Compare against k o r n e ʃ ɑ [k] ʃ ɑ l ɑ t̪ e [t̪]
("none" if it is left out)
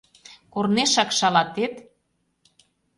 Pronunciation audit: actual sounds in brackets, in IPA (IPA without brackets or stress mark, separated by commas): k, t̪